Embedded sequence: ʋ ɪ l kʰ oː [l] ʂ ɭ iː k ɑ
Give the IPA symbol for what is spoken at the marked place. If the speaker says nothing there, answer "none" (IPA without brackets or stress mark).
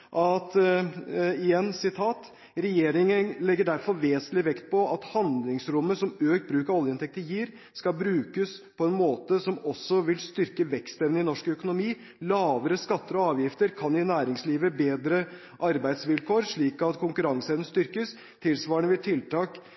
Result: ɾ